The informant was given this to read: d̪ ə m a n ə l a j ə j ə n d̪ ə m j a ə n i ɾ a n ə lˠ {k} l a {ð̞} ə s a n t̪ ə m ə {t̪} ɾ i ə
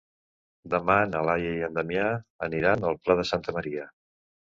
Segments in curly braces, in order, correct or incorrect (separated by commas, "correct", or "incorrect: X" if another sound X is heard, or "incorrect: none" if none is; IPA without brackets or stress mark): incorrect: p, correct, incorrect: none